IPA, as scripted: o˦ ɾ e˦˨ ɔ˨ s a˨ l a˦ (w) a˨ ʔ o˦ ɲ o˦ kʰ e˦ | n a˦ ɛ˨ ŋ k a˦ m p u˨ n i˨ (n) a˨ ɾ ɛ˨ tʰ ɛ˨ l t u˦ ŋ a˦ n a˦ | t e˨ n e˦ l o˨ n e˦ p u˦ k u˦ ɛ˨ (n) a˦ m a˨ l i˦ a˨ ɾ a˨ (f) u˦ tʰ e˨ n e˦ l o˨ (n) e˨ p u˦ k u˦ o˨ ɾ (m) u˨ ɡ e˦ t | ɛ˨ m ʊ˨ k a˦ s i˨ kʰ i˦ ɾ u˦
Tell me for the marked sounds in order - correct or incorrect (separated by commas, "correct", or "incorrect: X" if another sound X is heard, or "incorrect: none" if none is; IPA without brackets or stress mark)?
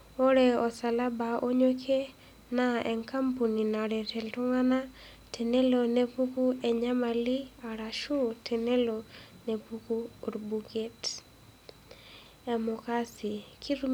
incorrect: b, correct, incorrect: ɲ, incorrect: ʃ, correct, incorrect: b